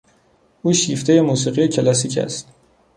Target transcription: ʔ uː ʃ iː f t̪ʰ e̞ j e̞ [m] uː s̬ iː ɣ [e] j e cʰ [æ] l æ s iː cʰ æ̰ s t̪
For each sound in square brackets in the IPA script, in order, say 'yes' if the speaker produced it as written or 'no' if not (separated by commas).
yes, no, no